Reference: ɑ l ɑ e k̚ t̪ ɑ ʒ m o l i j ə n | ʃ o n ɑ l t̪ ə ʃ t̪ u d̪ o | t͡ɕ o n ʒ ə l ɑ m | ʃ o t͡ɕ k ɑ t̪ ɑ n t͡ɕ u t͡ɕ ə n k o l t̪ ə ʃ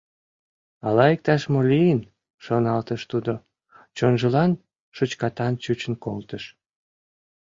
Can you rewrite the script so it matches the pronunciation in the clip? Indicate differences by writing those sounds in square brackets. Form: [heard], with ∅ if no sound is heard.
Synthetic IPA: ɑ l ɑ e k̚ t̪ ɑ [ʃ] m o l i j ə n | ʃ o n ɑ l t̪ ə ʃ t̪ u d̪ o | t͡ɕ o n ʒ ə l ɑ [n] | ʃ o t͡ɕ k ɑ t̪ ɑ n t͡ɕ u t͡ɕ ə n k o l t̪ ə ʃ